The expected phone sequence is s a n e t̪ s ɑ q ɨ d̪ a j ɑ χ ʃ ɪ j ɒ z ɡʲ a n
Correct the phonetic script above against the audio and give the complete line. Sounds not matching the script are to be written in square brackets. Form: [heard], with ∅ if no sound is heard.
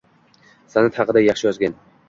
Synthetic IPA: s a n [a] t̪ [h] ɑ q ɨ d̪ a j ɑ χ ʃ ɪ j ɒ z ɡʲ a n